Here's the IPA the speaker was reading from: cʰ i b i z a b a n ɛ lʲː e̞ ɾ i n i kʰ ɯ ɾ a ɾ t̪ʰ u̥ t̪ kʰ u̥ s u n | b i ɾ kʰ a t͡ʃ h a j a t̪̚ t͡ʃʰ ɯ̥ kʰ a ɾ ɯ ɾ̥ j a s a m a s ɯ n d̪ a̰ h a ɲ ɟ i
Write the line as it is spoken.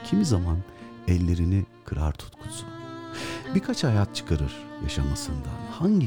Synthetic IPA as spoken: cʰ i m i z a m a n ɛ lʲː e̞ ɾ i n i kʰ ɯ ɾ a ɾ t̪ʰ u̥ t̪ kʰ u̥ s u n | b i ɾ kʰ a t͡ʃ h a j a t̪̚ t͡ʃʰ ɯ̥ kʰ a ɾ ɯ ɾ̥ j a ʃ a m a s ɯ n d̪ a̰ h a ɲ ɟ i